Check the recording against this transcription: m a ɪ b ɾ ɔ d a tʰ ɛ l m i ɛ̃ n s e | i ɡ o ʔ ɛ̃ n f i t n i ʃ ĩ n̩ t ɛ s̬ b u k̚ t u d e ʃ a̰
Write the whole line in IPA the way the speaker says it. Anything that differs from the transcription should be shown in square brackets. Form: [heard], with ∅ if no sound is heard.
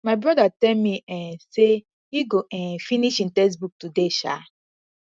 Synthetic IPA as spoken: m a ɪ b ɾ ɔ d a [t] ɛ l m i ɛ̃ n s e | i ɡ o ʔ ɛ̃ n f i [∅] n i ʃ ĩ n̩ t ɛ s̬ b u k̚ t u d e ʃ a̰